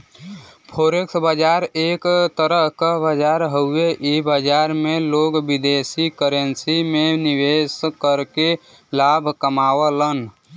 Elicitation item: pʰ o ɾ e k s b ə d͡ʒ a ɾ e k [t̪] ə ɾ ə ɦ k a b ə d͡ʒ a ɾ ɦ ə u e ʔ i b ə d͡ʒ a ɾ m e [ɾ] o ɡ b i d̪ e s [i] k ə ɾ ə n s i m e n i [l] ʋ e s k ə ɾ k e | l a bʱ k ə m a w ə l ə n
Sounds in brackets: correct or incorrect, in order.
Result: correct, incorrect, correct, incorrect

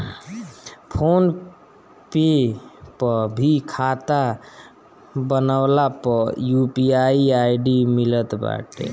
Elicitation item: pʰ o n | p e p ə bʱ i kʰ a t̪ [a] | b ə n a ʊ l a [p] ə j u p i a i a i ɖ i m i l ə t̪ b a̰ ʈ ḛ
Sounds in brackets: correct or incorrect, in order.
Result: correct, correct

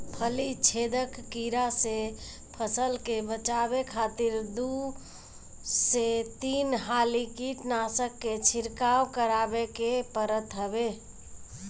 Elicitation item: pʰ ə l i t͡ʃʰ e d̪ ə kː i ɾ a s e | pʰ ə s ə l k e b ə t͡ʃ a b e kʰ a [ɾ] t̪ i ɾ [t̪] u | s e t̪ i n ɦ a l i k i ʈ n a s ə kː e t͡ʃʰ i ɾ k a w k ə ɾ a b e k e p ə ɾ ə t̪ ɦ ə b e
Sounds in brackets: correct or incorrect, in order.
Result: incorrect, incorrect

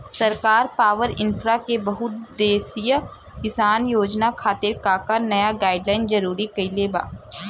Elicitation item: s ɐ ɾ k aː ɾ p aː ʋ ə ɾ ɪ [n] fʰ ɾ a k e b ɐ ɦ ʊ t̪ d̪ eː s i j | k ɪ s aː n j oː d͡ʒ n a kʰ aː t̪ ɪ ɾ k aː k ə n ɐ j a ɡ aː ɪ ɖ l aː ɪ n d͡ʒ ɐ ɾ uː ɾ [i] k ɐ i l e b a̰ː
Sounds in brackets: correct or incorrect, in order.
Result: correct, correct

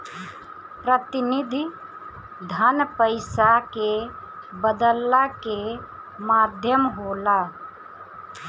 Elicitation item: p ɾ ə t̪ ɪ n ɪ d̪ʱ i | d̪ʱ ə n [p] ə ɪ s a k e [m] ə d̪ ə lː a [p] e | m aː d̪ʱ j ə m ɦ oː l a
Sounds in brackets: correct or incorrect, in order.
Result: correct, incorrect, incorrect

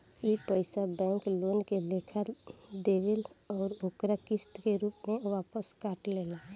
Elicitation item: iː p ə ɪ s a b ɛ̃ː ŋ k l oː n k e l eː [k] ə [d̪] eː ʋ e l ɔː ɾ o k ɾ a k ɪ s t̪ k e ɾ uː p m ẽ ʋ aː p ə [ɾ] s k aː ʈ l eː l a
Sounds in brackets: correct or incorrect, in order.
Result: incorrect, correct, incorrect

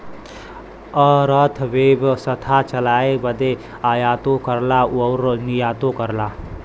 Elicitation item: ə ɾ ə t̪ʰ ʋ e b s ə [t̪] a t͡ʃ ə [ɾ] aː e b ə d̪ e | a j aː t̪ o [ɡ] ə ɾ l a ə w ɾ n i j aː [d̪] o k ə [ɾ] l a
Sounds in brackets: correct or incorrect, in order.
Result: incorrect, incorrect, incorrect, incorrect, correct

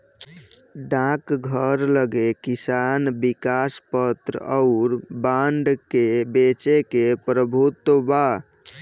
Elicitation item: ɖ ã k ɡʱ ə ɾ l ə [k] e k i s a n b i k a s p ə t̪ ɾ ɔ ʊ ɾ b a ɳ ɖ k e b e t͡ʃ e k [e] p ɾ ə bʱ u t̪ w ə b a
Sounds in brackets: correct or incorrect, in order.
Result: incorrect, correct

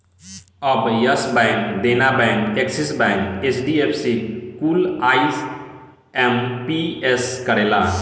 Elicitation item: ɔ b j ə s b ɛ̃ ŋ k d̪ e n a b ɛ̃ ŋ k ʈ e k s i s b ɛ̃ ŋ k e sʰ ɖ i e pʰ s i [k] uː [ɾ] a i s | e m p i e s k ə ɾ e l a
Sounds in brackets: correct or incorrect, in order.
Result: correct, incorrect

